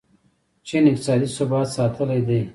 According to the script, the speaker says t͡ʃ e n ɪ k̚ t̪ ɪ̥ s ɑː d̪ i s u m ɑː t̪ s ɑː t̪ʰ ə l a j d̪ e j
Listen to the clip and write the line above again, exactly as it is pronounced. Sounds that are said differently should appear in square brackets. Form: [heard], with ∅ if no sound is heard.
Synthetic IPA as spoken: t͡ʃ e n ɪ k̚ t̪ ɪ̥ s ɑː d̪ i s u [b] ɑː t̪ s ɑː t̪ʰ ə l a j d̪ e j